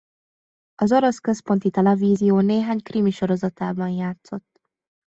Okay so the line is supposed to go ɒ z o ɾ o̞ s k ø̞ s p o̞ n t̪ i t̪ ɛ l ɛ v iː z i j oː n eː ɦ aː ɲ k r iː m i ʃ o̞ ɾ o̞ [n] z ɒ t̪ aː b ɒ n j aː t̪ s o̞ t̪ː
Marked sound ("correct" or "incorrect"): incorrect